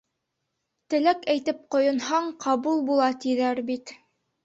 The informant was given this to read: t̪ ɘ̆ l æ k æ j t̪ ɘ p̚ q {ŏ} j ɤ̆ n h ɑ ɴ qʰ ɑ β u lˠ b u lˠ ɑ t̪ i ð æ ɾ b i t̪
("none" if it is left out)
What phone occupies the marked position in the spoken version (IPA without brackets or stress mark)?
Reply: ŏ